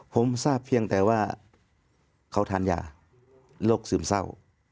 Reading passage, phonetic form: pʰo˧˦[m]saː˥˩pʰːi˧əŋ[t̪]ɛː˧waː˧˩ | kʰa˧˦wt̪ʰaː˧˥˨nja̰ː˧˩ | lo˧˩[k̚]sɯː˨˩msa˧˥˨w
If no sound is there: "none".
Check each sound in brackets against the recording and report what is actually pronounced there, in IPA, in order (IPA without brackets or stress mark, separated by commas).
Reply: m, t̪, k̚